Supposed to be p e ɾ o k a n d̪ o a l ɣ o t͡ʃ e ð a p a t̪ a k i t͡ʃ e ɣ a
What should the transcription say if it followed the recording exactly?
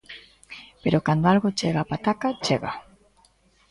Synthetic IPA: p e ɾ o k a n d̪ o a l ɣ o t͡ʃ e ɣ a p a t̪ a k a t͡ʃ e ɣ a